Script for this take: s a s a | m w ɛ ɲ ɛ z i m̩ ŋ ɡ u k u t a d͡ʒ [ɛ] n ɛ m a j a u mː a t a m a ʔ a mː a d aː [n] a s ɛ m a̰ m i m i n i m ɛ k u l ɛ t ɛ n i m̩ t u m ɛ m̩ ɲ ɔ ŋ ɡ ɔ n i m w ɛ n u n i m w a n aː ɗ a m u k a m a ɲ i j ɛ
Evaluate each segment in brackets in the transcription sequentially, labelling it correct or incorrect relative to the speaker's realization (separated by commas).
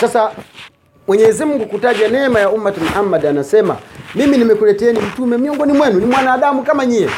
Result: incorrect, correct